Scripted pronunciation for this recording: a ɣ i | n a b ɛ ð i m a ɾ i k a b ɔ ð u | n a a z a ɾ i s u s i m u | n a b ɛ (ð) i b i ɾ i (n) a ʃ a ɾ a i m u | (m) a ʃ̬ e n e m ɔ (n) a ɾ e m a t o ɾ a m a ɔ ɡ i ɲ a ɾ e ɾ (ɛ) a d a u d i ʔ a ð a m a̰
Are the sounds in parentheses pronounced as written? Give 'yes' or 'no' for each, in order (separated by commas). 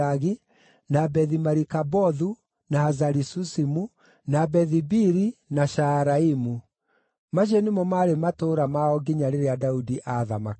yes, yes, yes, no, no